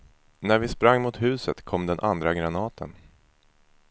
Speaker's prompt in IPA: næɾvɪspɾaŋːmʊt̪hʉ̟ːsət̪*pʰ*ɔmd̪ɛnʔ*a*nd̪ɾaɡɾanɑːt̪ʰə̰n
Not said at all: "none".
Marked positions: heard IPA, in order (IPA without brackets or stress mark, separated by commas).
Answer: kʰ, a